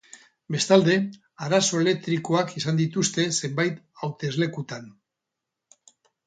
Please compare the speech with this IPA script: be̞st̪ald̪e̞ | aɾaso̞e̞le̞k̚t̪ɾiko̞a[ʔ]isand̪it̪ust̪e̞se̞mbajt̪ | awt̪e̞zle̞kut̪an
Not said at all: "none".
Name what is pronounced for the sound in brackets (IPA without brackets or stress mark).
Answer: k